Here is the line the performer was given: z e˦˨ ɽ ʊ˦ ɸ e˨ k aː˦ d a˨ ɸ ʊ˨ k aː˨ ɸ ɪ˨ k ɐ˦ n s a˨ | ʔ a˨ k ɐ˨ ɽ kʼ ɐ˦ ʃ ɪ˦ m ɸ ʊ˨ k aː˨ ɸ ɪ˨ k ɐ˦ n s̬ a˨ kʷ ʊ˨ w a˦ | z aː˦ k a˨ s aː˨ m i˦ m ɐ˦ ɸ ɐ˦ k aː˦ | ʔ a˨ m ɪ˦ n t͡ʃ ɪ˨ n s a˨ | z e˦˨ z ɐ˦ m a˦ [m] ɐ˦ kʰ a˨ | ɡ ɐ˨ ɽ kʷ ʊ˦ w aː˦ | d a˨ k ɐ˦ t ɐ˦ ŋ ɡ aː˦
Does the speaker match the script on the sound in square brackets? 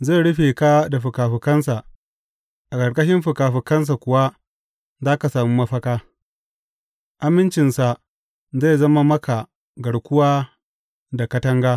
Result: yes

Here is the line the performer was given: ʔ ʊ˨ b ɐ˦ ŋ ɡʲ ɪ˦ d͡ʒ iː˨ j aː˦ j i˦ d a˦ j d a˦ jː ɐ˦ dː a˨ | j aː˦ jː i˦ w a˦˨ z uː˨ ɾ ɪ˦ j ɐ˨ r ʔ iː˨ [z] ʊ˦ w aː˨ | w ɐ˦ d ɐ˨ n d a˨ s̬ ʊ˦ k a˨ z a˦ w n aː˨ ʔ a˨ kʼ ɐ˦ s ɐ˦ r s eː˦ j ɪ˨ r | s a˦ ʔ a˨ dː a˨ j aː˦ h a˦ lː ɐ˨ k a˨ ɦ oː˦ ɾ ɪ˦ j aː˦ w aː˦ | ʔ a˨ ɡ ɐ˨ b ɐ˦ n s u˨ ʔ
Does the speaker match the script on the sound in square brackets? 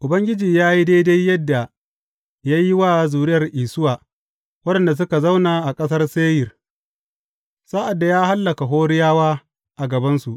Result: no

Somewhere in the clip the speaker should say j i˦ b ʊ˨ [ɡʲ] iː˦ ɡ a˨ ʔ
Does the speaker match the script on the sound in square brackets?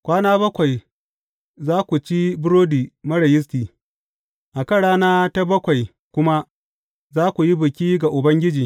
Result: no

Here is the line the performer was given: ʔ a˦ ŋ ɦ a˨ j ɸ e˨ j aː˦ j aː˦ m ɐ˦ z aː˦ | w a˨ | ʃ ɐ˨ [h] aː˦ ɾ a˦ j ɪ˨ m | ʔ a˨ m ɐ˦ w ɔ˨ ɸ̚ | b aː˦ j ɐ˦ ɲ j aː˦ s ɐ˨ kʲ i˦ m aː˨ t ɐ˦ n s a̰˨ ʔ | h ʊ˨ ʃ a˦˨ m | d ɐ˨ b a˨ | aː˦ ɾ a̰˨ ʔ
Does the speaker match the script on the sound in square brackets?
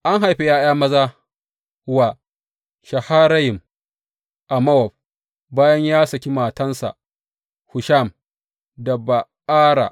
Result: yes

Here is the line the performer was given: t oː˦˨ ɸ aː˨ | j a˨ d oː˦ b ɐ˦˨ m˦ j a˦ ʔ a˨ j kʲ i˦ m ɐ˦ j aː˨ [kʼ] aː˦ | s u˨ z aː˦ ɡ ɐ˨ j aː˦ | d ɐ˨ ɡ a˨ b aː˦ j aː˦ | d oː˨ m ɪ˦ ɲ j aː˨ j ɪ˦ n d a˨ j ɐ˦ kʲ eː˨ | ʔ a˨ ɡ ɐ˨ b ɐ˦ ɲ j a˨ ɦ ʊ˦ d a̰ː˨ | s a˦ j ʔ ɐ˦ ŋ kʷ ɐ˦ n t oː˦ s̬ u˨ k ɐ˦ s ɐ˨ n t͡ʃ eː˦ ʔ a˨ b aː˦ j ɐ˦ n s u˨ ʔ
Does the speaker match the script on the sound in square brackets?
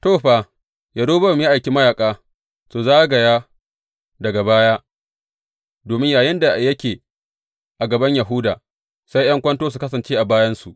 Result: yes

